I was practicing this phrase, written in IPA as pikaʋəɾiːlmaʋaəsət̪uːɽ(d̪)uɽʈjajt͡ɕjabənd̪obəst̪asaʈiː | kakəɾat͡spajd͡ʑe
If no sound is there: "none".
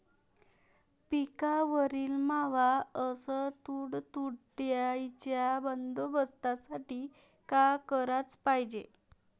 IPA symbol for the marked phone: t̪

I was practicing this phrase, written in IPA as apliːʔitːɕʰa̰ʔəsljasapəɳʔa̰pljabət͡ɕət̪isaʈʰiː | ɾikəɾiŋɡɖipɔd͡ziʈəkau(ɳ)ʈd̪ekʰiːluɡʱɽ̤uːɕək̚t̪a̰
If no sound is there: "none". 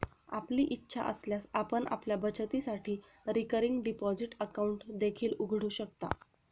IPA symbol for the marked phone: ɳ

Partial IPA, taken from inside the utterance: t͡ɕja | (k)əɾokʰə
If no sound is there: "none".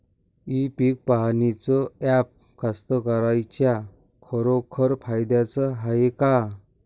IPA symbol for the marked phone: kʰ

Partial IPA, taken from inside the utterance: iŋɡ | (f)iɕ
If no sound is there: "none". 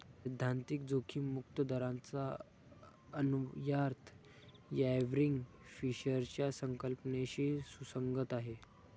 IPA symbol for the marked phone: f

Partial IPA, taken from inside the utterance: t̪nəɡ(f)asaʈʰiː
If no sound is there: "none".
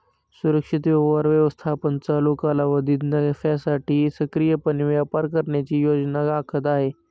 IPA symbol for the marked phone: f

